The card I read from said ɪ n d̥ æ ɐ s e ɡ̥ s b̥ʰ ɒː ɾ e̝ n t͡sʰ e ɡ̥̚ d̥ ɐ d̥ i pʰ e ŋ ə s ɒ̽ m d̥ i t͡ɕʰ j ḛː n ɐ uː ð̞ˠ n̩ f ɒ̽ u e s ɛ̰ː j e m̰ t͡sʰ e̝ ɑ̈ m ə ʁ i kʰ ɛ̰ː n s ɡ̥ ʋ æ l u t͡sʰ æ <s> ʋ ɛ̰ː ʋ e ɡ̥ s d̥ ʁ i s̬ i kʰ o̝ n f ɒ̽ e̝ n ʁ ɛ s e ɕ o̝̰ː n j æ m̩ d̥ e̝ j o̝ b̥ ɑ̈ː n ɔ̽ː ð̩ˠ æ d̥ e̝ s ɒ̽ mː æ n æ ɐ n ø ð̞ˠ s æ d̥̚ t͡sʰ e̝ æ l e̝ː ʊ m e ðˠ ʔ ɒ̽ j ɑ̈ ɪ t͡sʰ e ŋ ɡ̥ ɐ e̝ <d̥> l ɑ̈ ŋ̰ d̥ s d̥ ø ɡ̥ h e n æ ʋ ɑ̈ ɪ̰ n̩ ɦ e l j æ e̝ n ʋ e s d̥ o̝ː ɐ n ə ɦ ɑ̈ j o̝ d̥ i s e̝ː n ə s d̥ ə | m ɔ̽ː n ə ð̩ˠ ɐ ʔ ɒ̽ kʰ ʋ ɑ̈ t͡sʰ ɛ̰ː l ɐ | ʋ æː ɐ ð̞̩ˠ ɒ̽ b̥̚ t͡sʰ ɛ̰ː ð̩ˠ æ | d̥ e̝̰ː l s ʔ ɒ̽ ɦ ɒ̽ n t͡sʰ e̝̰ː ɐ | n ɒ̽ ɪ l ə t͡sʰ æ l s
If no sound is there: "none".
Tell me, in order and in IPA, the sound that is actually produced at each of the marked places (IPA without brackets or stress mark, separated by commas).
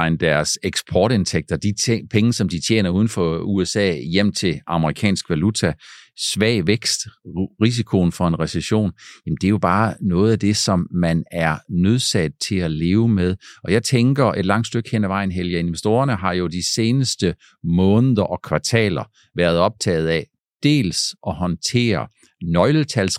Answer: s, d̥